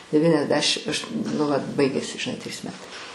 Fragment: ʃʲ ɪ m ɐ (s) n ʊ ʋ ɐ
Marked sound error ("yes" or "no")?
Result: yes